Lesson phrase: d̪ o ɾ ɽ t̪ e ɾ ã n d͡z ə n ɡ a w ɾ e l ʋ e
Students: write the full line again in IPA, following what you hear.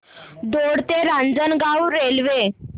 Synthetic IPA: d̪ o ɽ t̪ e ɾ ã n d͡z ə n ɡ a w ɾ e l ʋ e